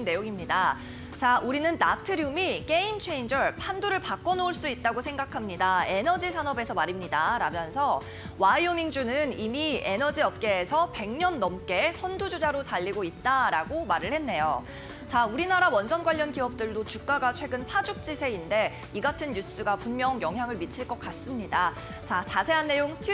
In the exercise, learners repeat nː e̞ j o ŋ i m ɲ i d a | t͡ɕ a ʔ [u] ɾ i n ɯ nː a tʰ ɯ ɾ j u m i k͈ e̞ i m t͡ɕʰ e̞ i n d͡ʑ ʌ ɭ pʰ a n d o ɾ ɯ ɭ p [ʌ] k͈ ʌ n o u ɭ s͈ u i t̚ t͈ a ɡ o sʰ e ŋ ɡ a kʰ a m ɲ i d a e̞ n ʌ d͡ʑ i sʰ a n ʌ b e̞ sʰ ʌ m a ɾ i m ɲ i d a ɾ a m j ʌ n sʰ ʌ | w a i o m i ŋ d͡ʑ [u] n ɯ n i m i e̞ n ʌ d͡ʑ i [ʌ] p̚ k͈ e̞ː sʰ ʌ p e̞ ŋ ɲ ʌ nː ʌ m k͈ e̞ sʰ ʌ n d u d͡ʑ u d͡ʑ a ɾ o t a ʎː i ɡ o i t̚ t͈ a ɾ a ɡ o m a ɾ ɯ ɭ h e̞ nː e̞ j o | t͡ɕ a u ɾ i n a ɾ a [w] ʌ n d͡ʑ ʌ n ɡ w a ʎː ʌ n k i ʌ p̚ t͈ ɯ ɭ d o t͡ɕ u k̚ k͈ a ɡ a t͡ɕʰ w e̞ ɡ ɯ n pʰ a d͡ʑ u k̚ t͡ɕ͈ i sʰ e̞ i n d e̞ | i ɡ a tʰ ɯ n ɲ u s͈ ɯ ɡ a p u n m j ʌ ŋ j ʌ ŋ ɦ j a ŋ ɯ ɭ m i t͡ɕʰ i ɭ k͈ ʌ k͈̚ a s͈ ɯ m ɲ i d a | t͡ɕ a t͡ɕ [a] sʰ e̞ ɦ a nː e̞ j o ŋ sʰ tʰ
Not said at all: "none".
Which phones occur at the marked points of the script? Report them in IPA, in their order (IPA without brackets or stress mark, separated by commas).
u, a, u, ʌ, w, a